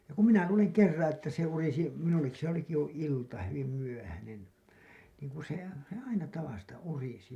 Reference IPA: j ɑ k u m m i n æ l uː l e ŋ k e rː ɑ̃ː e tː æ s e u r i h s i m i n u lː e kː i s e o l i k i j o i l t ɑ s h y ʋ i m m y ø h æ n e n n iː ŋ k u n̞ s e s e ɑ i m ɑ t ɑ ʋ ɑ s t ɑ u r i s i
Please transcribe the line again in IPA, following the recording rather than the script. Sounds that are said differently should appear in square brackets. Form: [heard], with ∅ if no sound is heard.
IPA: j ɑ k u m m i n æ l uː l e ŋ k e rː ɑ̃ː e tː æ s e u r i [∅] s i m i n u lː e kː i s e o l i k i j o i l t ɑ [∅] h y ʋ i m m y ø h æ n e n n iː ŋ k u n̞ s e s e ɑ i [n] ɑ t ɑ ʋ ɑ s t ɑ u r i s i